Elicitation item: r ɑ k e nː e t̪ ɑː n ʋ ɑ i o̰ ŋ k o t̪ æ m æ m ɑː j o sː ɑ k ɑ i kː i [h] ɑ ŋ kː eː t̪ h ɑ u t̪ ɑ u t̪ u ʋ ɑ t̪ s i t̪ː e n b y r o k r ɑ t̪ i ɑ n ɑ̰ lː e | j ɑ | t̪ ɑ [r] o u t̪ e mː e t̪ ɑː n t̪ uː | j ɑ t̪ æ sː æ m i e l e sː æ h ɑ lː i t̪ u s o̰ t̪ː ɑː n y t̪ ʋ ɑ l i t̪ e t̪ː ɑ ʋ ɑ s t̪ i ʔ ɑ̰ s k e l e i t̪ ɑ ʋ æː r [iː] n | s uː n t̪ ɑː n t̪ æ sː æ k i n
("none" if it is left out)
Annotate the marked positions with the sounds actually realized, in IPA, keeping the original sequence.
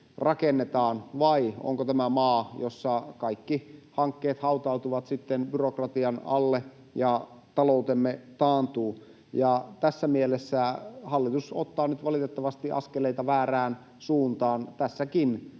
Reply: h, l, æː

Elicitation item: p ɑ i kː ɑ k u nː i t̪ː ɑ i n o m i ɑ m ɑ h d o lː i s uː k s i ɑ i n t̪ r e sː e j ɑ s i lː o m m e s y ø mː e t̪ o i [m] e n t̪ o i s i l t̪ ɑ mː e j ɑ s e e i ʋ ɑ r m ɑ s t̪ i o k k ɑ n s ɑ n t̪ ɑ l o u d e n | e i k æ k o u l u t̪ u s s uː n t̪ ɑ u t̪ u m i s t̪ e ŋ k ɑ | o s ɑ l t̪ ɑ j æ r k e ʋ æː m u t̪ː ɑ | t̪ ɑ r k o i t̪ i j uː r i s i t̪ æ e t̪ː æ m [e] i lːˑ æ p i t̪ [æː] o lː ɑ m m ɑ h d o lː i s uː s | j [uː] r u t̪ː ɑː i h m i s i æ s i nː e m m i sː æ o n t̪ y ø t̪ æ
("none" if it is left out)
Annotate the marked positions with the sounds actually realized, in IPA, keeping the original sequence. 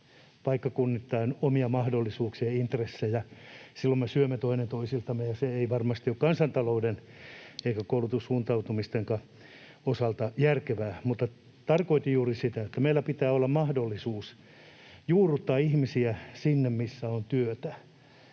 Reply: n, e, æː, uː

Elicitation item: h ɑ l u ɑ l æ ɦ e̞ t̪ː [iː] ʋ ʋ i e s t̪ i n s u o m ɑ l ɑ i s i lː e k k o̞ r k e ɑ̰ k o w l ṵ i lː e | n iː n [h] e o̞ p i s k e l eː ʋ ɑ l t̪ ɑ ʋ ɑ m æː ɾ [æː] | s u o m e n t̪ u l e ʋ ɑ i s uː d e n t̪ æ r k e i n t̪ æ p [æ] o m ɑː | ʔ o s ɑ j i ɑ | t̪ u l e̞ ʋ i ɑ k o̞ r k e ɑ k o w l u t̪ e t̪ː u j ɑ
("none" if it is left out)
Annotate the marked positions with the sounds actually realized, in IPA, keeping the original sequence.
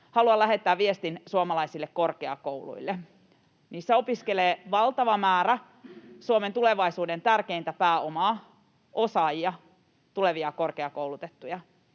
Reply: æː, s, æ, æː

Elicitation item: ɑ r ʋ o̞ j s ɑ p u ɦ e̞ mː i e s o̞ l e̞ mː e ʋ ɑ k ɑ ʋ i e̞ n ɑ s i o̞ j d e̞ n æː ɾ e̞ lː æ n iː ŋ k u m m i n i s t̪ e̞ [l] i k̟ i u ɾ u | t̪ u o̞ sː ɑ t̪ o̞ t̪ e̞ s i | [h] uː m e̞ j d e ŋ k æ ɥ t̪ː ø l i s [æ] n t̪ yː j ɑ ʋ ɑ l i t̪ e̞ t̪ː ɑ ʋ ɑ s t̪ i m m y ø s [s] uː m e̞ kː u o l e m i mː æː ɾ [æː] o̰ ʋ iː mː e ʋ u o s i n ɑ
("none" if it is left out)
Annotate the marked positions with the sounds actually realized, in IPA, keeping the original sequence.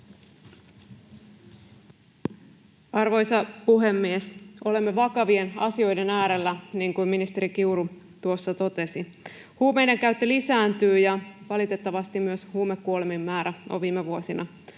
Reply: ɾ, h, æː, h, æ

